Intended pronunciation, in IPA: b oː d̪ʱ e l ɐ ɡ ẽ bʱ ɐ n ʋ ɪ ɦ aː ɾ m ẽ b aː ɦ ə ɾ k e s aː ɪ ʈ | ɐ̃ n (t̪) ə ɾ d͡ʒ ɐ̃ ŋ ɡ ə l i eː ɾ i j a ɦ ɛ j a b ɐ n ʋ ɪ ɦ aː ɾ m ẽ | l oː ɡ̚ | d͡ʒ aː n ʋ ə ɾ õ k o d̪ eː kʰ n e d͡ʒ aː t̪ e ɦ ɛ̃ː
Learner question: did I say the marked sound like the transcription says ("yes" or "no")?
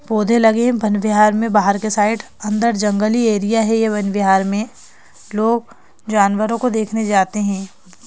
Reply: no